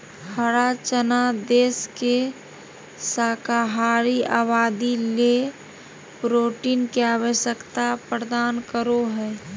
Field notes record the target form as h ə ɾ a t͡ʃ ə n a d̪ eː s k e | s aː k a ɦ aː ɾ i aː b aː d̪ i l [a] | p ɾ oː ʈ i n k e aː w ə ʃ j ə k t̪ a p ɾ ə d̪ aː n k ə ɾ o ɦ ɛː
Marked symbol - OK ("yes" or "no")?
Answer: no